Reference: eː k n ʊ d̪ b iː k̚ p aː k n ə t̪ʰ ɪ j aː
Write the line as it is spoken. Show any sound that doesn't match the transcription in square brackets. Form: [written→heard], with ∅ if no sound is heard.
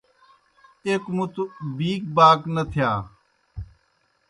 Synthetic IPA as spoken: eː k [n→m] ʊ [d̪→t̪] b iː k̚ [p→b] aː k n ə t̪ʰ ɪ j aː